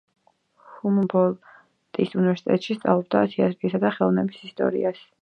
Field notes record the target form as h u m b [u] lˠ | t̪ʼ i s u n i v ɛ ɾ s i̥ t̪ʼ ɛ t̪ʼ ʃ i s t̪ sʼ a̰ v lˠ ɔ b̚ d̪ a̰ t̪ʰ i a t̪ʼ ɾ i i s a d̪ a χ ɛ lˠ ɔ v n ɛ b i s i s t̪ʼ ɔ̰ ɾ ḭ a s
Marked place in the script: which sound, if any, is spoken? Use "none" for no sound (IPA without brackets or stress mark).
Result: ɔ